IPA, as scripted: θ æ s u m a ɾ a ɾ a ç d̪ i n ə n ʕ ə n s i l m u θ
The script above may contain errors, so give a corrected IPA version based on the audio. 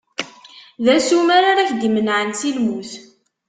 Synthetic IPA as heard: ð æ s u m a ɾ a ɾ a ç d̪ i m ə n ʕ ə n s i l m u θ

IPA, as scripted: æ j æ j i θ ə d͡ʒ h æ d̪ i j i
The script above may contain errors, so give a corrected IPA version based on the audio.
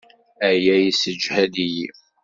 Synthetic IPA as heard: æ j æ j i s ə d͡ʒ h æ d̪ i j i

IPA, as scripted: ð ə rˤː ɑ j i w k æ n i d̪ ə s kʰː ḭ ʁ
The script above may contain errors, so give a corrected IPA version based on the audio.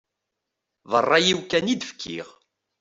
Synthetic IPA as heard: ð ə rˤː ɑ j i w k æ n i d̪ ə f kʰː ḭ ʁ

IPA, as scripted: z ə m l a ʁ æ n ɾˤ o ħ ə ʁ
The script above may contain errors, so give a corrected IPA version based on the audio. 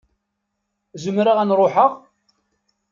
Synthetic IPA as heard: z ə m ɾ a ʁ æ n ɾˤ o ħ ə ʁ

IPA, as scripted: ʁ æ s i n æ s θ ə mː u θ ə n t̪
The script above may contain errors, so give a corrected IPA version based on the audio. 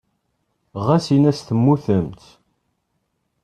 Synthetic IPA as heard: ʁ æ s i n æ s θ ə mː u θ ə m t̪

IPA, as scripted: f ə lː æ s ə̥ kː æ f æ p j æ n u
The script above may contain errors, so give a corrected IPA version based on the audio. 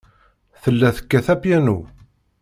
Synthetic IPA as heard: θ ə lː æ θ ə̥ kː æ θ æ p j æ n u

